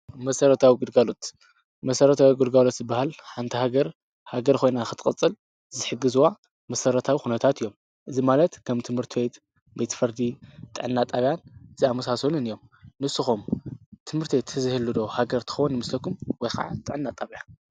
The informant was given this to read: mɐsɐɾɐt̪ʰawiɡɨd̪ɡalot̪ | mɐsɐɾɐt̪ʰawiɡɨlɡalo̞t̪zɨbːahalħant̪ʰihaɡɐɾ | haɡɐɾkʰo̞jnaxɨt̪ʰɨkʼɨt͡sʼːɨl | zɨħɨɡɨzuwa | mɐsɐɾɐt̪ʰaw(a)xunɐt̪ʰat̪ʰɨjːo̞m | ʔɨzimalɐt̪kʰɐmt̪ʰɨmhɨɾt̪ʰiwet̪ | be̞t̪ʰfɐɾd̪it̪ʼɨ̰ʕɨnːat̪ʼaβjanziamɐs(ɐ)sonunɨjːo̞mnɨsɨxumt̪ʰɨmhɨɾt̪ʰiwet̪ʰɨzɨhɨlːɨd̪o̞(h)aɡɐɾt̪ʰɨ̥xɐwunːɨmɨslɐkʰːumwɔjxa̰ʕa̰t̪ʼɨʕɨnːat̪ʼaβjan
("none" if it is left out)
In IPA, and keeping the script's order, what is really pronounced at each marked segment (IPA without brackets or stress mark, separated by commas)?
i, a, h